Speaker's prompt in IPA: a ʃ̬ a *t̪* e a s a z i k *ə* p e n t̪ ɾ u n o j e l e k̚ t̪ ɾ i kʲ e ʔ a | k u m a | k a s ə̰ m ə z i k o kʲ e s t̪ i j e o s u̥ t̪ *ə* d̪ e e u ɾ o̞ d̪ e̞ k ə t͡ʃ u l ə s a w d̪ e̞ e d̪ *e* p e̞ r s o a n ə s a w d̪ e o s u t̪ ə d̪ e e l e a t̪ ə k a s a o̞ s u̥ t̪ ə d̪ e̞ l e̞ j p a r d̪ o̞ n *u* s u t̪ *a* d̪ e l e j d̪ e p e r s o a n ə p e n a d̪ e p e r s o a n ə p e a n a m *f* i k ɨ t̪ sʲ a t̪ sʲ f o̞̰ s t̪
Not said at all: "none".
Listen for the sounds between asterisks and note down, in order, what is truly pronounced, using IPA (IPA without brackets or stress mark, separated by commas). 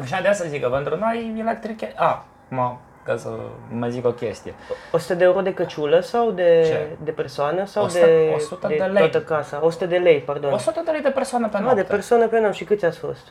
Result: d̪, ə, ə, e, o, ə, ʃ